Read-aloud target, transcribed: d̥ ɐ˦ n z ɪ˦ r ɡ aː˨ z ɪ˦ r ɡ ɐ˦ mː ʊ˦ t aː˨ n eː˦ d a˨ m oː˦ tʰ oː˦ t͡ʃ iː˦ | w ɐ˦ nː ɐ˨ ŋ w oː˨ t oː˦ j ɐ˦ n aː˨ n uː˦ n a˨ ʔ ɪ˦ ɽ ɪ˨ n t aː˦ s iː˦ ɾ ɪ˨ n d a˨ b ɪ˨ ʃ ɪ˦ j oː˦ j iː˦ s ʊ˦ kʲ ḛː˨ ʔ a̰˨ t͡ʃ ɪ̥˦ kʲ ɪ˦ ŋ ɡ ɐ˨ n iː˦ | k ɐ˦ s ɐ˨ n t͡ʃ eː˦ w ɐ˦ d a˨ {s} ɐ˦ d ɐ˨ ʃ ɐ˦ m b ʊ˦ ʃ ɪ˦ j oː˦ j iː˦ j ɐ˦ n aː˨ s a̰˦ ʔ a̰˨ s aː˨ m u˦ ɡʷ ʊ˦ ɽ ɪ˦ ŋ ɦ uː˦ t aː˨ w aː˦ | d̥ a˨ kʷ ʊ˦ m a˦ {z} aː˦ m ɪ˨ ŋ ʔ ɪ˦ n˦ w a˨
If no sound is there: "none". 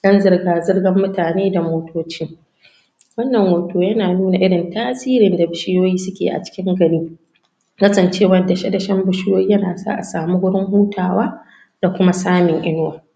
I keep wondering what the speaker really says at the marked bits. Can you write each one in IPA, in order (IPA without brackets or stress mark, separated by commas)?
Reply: ʃ, s